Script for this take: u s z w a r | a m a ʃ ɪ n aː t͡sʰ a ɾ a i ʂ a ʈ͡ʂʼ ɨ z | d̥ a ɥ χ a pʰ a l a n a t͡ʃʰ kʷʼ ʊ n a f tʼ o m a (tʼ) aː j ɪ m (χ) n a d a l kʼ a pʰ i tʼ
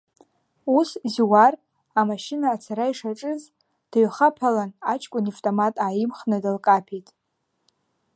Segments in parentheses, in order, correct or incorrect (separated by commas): correct, correct